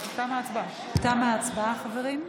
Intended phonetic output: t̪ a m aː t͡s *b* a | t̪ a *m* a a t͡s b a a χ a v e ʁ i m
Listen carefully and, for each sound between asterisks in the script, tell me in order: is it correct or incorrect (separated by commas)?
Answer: correct, correct